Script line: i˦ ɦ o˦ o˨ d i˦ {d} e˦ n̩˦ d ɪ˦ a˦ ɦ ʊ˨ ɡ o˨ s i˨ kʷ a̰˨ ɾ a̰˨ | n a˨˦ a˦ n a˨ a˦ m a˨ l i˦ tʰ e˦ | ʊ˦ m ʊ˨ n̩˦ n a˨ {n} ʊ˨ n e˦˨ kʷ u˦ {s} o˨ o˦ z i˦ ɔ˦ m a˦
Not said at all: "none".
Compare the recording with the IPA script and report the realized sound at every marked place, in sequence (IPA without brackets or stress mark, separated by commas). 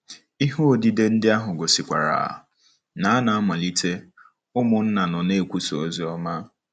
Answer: d, n, s